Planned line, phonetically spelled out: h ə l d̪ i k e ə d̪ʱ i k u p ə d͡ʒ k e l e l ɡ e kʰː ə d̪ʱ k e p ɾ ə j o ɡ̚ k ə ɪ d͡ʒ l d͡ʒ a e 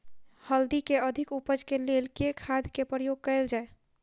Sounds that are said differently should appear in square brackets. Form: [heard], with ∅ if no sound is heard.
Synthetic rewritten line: h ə l d̪ i k e ə d̪ʱ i k u p ə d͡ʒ k e l e l [k] e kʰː [a] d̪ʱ k e p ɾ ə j o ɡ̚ k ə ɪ [∅] l d͡ʒ a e

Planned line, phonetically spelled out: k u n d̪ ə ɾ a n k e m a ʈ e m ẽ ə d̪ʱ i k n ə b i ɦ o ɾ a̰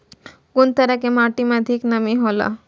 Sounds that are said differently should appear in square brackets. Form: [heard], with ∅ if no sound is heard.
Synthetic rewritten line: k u n [t̪] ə ɾ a [∅] k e m a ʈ [i] m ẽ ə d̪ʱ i k n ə [m] i ɦ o [l] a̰

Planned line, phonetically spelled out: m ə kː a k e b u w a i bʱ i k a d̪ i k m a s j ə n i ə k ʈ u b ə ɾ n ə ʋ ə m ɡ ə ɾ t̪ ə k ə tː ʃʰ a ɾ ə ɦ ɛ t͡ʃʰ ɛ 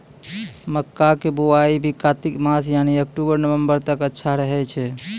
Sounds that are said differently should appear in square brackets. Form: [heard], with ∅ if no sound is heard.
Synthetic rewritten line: m ə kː a k e b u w a i bʱ i k a [t̪] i k m a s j [a] n i ə k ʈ u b ə ɾ n ə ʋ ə m [b] ə ɾ t̪ ə k ə tː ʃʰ a ɾ ə ɦ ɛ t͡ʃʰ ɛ

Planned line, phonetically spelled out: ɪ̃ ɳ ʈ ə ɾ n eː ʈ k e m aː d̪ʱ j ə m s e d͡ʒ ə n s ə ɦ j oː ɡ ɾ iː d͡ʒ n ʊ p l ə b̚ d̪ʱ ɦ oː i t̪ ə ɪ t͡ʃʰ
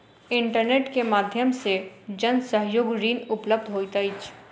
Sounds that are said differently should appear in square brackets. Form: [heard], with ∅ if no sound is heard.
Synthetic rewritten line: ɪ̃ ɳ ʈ ə ɾ n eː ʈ k e m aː d̪ʱ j ə m s e d͡ʒ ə n s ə ɦ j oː ɡ ɾ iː [∅] n ʊ p l ə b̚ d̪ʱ ɦ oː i t̪ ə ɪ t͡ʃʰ

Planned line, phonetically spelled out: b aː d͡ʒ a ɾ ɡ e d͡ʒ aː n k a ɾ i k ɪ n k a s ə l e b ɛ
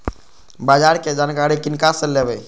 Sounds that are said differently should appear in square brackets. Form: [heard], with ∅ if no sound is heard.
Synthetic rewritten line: b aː d͡ʒ a ɾ [k] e d͡ʒ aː n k a ɾ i k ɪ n k a s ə l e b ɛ

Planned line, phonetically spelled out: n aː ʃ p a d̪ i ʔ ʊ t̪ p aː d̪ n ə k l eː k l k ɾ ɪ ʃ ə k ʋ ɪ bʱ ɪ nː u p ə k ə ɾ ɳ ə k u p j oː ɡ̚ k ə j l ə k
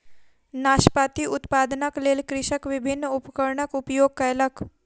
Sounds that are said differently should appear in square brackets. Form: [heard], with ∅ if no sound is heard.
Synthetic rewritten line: n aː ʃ p a [t̪] i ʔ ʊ t̪ p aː d̪ n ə k l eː [∅] l k ɾ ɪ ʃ ə k ʋ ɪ bʱ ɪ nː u p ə k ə ɾ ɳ ə k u p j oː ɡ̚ k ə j l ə k

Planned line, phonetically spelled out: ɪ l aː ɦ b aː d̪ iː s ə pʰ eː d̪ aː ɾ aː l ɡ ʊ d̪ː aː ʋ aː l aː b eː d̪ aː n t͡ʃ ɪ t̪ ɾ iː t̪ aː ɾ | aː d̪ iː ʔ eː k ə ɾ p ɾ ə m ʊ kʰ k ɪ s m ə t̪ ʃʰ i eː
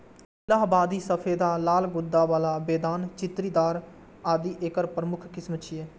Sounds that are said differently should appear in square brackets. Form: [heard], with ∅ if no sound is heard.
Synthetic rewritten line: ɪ l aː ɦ b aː d̪ iː s ə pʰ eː d̪ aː [l] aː l ɡ ʊ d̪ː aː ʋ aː l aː b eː d̪ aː n t͡ʃ ɪ t̪ ɾ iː [d̪] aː ɾ | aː d̪ iː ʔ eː k ə ɾ p ɾ ə m ʊ kʰ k ɪ s m ə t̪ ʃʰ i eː

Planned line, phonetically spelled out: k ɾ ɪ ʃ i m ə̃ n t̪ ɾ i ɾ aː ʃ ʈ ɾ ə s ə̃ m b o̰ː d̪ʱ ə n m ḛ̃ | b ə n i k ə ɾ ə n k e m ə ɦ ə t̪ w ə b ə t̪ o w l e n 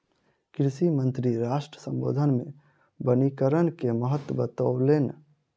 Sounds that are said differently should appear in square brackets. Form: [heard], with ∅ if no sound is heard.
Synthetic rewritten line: k ɾ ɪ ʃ i m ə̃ n t̪ ɾ i ɾ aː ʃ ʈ ɾ ə s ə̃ m b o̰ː d̪ʱ ə n m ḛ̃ | b ə n i k ə ɾ ə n k e m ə ɦ ə t̪ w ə b ə t̪ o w l e n

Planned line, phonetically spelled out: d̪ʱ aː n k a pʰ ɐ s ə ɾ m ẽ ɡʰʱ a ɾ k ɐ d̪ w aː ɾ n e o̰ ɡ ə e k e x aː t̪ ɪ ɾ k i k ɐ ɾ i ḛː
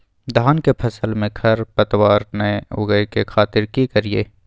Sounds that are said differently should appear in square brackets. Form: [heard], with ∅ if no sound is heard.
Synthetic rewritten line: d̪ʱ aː n k [e] pʰ ɐ s ə [l] m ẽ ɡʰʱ [ɐ] ɾ [p] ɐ [t̪] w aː ɾ n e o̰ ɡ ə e k e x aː t̪ ɪ ɾ k i k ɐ ɾ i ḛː

